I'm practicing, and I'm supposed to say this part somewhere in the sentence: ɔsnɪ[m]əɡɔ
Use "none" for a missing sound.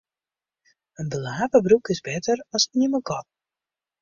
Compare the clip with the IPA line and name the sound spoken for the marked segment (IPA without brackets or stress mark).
m